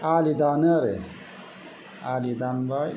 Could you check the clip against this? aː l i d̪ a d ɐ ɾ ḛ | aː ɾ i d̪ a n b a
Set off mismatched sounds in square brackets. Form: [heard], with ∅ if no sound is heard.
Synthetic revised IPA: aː l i d̪ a [n] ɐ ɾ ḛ | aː [l] i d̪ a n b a

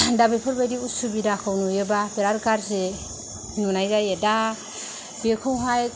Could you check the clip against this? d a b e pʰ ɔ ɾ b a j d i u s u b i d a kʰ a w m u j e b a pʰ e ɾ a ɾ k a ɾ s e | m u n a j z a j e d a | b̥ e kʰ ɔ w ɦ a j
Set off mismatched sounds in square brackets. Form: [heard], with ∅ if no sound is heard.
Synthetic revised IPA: d a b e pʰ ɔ ɾ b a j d i u s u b i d a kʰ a w [n] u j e b a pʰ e ɾ a ɾ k a ɾ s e | [n] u n a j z a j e d a | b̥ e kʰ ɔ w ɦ a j

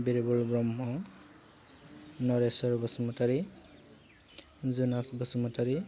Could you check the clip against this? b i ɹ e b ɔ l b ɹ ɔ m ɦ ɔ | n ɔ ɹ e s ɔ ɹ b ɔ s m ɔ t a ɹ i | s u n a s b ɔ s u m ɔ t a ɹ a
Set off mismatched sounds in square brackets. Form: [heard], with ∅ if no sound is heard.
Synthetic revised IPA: b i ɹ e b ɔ l b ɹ ɔ m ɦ ɔ | n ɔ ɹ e s ɔ ɹ b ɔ s m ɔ t a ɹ i | [z] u n a s b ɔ s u m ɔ t a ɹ [i]

